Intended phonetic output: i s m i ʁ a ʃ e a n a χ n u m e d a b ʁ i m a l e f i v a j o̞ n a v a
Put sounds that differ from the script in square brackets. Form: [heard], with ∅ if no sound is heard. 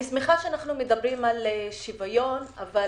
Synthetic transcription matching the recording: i s m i [χ] a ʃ e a n a χ n u m e d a b ʁ i m a l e [ʃ] i v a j o̞ n a v a